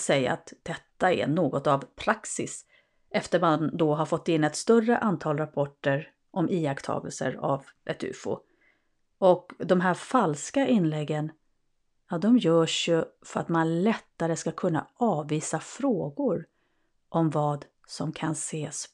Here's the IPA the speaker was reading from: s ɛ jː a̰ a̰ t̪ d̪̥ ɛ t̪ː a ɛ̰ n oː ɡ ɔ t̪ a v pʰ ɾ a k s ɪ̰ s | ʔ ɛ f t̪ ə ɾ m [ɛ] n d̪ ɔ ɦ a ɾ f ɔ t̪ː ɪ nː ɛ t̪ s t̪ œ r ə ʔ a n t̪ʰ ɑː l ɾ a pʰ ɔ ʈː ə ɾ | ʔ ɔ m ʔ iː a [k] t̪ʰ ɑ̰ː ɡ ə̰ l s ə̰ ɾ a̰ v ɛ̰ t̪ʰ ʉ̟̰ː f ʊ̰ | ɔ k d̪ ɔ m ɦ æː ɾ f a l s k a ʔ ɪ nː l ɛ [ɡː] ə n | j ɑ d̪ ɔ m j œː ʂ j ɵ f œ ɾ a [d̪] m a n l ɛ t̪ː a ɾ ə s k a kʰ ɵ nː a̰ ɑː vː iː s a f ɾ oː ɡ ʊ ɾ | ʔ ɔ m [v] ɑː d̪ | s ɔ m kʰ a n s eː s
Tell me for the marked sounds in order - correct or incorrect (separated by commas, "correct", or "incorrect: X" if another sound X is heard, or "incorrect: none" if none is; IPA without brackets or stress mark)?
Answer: incorrect: a, correct, correct, incorrect: t̪, correct